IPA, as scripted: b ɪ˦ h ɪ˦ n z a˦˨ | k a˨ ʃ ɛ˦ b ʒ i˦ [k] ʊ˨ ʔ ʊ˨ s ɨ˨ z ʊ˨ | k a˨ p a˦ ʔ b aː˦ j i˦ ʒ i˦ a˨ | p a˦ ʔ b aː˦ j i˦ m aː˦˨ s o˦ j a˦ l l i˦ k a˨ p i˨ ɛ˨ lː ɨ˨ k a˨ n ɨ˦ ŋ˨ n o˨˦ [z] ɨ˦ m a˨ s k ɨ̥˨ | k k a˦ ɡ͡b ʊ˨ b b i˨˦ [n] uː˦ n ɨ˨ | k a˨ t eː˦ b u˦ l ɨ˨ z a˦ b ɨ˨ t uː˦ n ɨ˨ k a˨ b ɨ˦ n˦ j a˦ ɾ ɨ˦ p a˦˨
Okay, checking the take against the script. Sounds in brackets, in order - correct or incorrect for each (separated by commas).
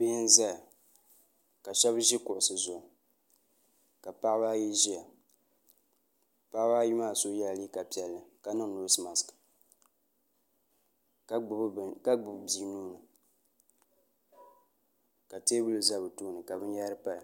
correct, incorrect, correct